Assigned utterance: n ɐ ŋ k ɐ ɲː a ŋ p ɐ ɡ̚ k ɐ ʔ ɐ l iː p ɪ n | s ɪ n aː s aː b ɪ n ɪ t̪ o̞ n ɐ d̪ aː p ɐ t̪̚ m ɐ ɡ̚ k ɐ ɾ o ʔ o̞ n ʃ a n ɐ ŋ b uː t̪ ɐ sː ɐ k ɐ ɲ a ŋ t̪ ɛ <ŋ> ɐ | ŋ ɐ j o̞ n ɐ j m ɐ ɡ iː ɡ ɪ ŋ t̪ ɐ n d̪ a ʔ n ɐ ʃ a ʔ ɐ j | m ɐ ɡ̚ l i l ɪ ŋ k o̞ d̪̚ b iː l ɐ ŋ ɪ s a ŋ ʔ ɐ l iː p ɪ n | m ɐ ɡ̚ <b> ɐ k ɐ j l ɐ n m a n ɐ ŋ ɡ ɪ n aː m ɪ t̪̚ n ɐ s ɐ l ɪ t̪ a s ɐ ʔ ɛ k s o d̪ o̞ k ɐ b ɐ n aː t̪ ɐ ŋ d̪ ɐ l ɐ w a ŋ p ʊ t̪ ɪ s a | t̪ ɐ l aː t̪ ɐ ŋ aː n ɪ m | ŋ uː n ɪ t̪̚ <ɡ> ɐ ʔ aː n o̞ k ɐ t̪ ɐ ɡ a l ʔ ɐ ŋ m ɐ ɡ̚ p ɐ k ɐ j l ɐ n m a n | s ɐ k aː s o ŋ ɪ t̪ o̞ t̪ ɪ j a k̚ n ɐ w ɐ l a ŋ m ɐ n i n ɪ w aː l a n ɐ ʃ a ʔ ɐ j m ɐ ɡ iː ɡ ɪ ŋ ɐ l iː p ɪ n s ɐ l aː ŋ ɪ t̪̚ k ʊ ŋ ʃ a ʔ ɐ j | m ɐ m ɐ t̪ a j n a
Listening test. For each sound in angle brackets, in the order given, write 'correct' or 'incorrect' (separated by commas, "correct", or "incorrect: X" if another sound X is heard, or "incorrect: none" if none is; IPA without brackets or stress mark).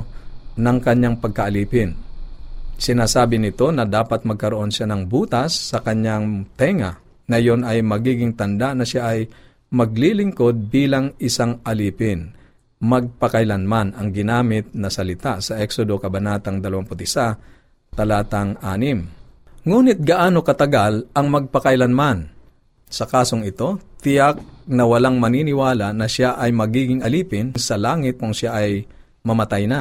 correct, incorrect: p, correct